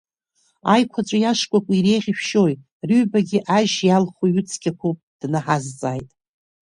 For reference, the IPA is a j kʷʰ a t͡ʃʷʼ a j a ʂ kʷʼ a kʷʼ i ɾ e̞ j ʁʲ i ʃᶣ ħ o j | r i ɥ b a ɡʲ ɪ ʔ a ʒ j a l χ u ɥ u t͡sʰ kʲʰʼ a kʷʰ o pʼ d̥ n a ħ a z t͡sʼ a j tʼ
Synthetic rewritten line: a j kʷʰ a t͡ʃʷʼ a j a ʂ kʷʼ a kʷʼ i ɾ e̞ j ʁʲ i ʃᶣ ʃ o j | r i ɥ b a ɡʲ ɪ ʔ a ʒ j a l χ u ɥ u t͡sʰ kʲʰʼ a kʷʰ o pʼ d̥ n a ħ a z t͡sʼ a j tʼ